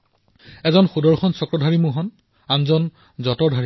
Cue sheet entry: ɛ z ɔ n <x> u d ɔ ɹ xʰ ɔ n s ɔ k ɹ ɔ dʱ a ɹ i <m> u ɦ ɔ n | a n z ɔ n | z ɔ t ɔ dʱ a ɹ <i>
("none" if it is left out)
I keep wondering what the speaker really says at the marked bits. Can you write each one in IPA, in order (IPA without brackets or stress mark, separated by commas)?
x, m, i